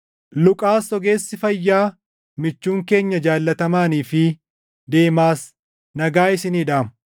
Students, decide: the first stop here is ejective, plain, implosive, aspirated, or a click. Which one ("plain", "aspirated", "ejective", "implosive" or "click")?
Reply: ejective